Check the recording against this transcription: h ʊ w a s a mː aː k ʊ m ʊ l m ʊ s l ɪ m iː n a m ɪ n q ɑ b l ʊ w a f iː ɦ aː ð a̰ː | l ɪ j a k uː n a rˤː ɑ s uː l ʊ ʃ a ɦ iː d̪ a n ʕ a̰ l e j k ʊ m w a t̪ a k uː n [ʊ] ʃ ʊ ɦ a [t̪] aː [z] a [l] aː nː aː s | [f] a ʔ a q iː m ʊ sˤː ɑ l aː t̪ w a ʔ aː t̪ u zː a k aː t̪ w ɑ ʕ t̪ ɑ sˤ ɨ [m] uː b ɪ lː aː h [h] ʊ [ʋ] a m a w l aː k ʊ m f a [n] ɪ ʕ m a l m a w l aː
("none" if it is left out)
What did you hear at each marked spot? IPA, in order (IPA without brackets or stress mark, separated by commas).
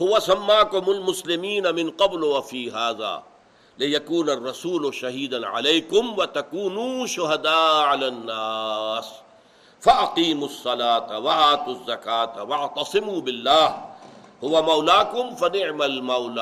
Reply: u, d̪, ʕ, l, f, m, h, w, n